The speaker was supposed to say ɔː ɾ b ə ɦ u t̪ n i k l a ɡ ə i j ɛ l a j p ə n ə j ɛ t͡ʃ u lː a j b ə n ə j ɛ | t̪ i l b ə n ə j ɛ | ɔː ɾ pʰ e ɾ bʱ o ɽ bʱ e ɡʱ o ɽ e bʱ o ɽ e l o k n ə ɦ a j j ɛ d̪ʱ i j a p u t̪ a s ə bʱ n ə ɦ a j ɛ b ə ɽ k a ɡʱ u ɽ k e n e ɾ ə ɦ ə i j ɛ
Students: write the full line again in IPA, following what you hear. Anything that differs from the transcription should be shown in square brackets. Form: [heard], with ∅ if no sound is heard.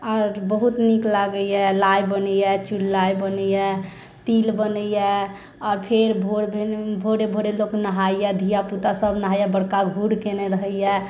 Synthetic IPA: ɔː ɾ b ə ɦ u t̪ n i k l a ɡ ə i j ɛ l a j [b] ə n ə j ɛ t͡ʃ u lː a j b ə n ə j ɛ | t̪ i l b ə n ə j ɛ | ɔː ɾ pʰ e ɾ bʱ o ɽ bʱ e [bʱ] o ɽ e bʱ o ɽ e l o k n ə ɦ a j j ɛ d̪ʱ i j a p u t̪ a s ə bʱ n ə ɦ a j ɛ b ə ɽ k a ɡʱ u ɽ k e n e ɾ ə ɦ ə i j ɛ